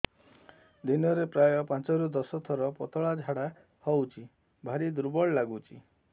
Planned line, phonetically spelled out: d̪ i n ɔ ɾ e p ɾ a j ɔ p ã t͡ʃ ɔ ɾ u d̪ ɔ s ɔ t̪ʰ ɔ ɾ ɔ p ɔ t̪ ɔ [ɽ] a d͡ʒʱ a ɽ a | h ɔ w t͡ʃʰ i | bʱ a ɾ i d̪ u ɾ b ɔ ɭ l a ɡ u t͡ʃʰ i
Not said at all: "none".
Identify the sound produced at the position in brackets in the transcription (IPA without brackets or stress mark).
ɭ